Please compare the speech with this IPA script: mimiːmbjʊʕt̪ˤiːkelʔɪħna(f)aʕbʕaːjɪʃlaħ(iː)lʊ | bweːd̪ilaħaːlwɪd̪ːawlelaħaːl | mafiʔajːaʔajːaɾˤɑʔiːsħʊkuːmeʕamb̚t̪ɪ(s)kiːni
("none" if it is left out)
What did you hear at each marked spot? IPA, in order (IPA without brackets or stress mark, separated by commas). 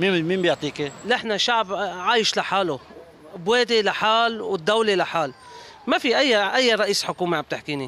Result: ʃ, aː, ħ